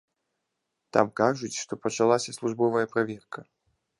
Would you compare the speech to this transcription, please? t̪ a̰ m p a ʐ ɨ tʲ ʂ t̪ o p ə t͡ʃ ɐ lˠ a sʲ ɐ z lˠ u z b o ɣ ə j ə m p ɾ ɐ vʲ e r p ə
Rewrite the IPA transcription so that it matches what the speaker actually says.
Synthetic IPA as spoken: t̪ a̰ m k a ʐ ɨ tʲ ʂ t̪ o p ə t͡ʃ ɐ lˠ a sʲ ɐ s lˠ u ʐ b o v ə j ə p ɾ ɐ vʲ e r k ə

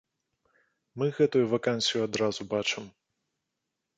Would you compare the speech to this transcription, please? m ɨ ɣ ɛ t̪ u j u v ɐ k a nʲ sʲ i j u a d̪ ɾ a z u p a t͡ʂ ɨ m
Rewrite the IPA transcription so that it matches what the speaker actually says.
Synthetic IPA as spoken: m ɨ ɣ ɛ t̪ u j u v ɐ k a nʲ sʲ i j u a d̪ ɾ a z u b a t͡ʂ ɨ m

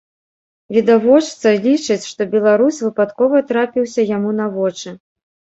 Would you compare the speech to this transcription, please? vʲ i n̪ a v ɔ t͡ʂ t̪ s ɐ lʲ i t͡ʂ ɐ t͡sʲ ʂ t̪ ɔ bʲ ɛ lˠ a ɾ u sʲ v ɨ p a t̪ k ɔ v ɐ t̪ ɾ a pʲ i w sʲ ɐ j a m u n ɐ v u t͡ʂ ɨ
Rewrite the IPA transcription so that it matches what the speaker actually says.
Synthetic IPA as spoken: vʲ i d̪ a v ɔ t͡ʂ t̪ s ɐ lʲ i t͡ʂ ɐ t͡sʲ ʂ t̪ ɔ bʲ ɛ lˠ a ɾ u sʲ v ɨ p a t̪ k ɔ v ɐ t̪ ɾ a pʲ i w sʲ ɐ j a m u n ɐ v ɔ t͡ʂ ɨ

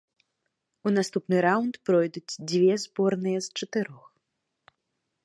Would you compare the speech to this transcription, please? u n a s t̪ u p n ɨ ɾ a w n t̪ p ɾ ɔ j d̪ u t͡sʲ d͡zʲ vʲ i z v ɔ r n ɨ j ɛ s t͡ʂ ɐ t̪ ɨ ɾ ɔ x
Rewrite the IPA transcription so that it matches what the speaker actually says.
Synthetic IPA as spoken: u n a s t̪ u p n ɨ ɾ a w n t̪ p ɾ ɔ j d̪ u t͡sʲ d͡zʲ vʲ ɛ z b ɔ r n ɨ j ɛ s t͡ʂ ɐ t̪ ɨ ɾ ɔ x

